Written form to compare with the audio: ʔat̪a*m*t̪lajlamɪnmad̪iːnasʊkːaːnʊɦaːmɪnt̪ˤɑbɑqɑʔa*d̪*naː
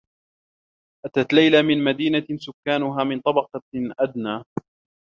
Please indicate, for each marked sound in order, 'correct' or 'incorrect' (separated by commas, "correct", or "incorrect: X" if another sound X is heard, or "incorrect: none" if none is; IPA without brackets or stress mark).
incorrect: none, correct